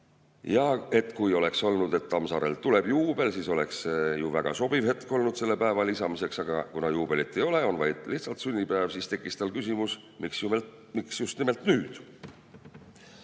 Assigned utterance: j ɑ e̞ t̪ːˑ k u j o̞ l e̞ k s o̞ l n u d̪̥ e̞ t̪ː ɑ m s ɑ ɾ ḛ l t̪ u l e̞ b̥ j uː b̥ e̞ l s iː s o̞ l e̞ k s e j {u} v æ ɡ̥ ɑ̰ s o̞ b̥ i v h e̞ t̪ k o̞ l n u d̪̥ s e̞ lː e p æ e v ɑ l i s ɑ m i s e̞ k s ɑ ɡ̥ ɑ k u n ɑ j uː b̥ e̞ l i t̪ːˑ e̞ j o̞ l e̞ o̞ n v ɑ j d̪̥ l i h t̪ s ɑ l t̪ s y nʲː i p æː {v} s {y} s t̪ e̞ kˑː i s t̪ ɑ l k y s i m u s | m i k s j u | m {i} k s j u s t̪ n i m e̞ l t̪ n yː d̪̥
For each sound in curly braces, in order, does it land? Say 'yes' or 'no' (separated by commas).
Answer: yes, yes, no, yes